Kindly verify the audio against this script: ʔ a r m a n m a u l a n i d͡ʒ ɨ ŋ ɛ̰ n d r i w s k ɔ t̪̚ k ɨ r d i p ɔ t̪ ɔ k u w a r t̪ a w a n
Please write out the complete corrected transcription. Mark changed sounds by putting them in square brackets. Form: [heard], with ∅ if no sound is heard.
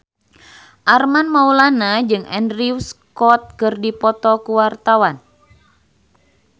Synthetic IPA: ʔ a r m a n m a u l a n [a] d͡ʒ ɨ ŋ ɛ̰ n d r i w s k ɔ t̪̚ k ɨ r d i p ɔ t̪ ɔ k u w a r t̪ a w a n